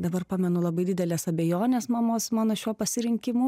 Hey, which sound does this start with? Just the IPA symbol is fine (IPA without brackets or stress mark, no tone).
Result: d̪